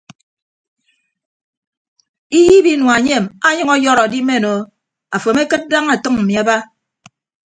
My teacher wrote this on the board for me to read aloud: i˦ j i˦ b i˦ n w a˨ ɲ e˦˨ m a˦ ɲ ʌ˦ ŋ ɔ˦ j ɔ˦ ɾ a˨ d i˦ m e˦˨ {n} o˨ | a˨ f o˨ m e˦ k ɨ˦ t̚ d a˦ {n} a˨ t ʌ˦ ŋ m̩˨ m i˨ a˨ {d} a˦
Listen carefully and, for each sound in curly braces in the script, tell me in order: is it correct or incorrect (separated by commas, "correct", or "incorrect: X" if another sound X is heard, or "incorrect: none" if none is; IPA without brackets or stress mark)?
correct, incorrect: ŋ, incorrect: b